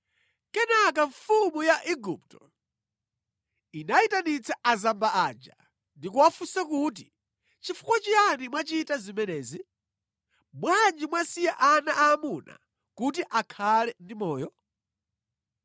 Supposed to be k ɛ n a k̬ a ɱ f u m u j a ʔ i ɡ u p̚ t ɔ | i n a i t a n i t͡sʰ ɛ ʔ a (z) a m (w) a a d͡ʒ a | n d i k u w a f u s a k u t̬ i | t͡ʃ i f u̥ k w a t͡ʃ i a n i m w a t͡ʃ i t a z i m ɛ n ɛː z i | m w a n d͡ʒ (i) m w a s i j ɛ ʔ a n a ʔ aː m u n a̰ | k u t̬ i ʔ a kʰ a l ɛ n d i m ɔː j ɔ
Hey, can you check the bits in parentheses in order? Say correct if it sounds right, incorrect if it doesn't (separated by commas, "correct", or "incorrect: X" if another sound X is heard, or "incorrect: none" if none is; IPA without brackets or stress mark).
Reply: correct, incorrect: b, correct